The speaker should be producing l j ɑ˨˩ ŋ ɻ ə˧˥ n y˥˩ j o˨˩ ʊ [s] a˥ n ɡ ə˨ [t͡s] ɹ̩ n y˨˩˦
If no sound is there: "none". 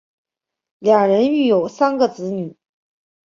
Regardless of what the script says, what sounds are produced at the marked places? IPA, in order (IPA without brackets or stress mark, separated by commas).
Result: s, t͡s